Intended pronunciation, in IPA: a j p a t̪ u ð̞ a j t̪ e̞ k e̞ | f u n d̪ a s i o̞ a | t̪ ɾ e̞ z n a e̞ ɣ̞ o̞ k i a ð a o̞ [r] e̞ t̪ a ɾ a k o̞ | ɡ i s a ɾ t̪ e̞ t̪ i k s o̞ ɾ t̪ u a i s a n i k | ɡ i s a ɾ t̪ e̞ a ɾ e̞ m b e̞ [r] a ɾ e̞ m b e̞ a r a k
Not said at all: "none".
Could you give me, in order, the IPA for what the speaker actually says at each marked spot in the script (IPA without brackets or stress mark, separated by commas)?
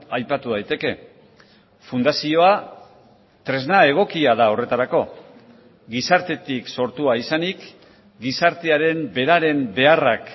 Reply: r, ɾ